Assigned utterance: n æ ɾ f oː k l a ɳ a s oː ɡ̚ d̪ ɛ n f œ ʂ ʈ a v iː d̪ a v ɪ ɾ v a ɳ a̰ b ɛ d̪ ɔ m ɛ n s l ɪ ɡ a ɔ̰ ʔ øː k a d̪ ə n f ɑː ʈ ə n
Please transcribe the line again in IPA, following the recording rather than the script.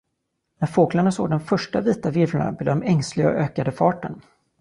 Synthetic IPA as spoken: n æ ɾ f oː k l a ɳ a s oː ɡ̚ d̪ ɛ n f œ ʂ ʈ a v iː t̪ a v ɪ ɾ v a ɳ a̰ b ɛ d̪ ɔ m ɛ ŋ s l ɪ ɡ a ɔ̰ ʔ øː k a d̪ ə f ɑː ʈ ə n